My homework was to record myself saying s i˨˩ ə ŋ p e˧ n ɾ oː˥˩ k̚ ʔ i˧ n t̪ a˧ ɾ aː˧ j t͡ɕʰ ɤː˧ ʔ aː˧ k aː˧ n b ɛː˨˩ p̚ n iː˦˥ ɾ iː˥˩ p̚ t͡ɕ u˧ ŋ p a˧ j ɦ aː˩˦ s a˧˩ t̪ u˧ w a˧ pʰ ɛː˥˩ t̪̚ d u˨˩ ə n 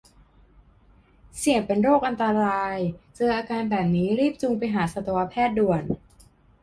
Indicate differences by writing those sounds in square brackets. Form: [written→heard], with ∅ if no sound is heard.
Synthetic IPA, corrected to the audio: s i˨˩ ə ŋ p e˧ n ɾ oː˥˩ k̚ ʔ [i˧→a˧] n t̪ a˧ ɾ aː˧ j [t͡ɕʰ→t͡ɕ] ɤː˧ ʔ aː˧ k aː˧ n b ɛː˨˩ p̚ n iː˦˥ ɾ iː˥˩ p̚ t͡ɕ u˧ ŋ p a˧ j ɦ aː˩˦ s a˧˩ t̪ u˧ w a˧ pʰ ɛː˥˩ t̪̚ d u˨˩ ə n